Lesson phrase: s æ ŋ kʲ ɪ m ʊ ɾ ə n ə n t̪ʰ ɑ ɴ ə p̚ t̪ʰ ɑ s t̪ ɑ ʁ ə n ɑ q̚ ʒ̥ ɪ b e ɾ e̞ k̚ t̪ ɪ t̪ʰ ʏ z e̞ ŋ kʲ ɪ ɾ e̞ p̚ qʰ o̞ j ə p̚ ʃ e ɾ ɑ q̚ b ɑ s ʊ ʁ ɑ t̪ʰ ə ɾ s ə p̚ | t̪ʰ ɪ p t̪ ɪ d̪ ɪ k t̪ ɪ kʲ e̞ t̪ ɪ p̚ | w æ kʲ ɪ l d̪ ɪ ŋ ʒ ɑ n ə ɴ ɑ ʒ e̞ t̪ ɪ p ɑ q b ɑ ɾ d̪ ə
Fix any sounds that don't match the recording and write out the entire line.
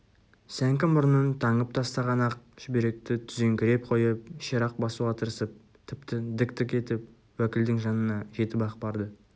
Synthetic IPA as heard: s æ ŋ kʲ ɪ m ʊ ɾ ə n ə n t̪ʰ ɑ ɴ ə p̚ t̪ʰ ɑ s t̪ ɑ ʁ ɑ n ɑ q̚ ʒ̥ ɪ b e ɾ e̞ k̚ t̪ ɪ t̪ʰ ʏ z e̞ ŋ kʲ ɪ ɾ e̞ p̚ qʰ o̞ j ə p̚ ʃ e ɾ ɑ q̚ b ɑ s u ʁ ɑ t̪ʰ ə ɾ s ə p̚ | t̪ʰ ɪ p t̪ ɪ d̪ ɪ k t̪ ɪ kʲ e̞ t̪ ɪ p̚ | w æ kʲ ɪ l d̪ ɪ ŋ ʒ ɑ n ə n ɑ ʒ e̞ t̪ ɪ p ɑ q b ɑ ɾ d̪ ə